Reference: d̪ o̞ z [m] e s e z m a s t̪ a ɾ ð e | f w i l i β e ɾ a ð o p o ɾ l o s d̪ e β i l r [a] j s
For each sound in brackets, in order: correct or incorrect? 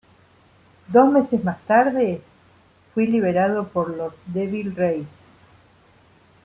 correct, incorrect

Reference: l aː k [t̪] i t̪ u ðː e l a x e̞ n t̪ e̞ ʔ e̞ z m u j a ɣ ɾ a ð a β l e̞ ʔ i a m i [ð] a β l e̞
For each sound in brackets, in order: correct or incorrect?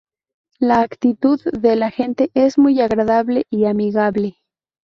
correct, incorrect

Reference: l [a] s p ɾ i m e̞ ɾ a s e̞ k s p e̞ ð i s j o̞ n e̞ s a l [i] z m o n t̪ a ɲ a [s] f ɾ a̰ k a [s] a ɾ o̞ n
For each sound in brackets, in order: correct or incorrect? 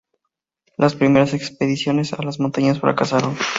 correct, incorrect, correct, correct

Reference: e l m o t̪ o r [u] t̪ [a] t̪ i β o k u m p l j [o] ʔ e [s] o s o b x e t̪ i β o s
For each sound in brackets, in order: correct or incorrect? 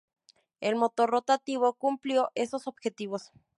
incorrect, correct, correct, correct

